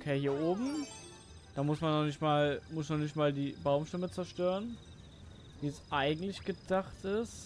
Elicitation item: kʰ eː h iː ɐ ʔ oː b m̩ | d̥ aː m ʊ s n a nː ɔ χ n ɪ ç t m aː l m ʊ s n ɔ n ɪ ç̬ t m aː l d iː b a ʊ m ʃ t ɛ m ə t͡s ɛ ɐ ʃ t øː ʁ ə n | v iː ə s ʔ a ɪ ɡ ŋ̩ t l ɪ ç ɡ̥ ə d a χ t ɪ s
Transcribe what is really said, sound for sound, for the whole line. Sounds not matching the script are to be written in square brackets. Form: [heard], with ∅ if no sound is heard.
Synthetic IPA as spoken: kʰ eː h iː ɐ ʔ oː b m̩ | d̥ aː m ʊ s [m] a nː ɔ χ n ɪ ç t m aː l m ʊ s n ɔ n ɪ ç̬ t m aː l d iː b a ʊ m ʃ t ɛ m ə t͡s ɛ ɐ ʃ t øː ʁ ə n | v iː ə s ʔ a ɪ ɡ ŋ̩ t l ɪ ç ɡ̥ ə d a χ t ɪ s